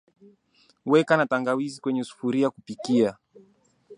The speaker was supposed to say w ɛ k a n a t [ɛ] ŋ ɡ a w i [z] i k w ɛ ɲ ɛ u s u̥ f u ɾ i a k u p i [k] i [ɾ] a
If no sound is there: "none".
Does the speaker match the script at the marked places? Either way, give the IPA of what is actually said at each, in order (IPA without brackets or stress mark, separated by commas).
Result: a, z, k, none